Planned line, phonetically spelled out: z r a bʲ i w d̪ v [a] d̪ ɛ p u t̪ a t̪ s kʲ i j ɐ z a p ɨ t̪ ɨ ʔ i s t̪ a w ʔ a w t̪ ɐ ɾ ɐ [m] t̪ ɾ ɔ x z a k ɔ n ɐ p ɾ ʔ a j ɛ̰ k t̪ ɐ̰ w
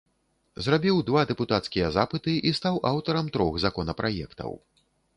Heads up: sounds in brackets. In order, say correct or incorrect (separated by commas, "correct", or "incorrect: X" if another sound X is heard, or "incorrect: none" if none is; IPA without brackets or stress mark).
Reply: correct, correct